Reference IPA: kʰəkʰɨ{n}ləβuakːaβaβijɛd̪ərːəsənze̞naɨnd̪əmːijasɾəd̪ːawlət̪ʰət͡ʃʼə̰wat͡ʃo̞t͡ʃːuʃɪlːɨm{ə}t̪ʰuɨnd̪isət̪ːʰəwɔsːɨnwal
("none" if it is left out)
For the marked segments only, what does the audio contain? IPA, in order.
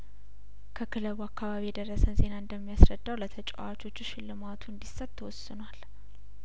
none, a

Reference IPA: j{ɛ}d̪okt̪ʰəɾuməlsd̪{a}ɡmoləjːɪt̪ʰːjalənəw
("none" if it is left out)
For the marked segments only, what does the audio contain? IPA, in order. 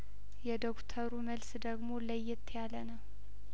ɛ, ə

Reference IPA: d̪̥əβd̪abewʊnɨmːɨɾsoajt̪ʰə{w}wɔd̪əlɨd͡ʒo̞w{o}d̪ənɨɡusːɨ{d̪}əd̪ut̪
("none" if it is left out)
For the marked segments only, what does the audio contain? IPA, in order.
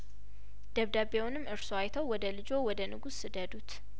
w, ɔ, d̪

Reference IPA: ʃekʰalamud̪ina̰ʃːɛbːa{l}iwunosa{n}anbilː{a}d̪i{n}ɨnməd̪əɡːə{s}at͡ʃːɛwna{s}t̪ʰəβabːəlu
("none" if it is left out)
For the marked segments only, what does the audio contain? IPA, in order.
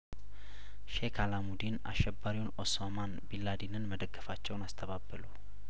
ɾ, m, a, n, f, s

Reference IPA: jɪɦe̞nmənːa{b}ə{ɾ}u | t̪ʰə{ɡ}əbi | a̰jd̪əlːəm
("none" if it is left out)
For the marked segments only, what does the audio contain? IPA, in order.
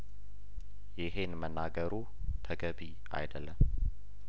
ɡ, ɾ, ɡ

